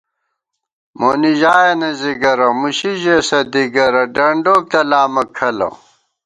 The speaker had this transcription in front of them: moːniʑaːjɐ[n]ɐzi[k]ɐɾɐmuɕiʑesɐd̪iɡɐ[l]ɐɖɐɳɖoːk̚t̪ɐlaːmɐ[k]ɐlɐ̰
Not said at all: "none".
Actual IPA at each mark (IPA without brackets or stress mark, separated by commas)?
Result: n, ɡ, ɾ, kʰ